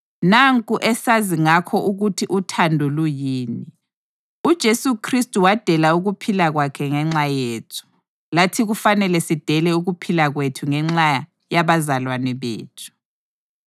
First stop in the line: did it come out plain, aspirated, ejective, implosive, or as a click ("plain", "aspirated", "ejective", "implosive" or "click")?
ejective